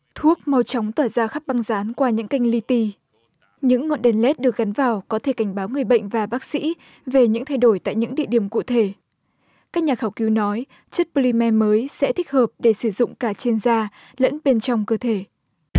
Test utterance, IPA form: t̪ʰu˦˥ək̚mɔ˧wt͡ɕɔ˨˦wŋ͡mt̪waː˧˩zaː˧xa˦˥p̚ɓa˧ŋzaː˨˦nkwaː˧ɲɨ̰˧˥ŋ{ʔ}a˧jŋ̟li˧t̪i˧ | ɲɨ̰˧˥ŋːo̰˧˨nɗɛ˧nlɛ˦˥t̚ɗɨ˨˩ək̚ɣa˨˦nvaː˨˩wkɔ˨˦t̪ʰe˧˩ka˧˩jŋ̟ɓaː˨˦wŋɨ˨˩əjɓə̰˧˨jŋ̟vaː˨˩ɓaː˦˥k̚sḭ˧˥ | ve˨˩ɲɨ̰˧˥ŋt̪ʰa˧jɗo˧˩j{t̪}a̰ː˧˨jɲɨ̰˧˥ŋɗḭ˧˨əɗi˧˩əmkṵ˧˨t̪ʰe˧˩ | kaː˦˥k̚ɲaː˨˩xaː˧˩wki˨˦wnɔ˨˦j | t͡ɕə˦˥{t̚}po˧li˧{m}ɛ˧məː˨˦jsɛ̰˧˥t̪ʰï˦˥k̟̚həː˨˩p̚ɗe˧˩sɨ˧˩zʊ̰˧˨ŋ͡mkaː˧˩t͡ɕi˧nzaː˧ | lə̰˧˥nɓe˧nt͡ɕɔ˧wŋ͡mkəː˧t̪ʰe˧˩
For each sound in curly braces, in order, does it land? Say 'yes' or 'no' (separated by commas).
no, yes, yes, yes